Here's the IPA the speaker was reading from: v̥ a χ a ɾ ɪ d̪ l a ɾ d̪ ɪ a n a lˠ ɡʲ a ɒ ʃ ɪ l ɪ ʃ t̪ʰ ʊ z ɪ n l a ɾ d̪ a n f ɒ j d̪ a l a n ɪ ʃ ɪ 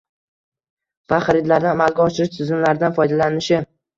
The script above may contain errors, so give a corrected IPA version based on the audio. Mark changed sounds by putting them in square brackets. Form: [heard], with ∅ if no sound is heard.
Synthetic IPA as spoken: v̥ a χ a ɾ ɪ d̪ l a ɾ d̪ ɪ a [m] a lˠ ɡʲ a ɒ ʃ ɪ [ɾ] ɪ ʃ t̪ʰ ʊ z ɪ n l a ɾ d̪ a n f ɒ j d̪ a l a n ɪ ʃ ɪ